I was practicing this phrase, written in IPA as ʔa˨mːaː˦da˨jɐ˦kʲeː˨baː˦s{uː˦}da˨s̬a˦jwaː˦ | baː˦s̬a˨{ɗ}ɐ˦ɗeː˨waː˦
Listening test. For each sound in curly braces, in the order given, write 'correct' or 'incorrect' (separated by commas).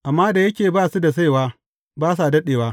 incorrect, incorrect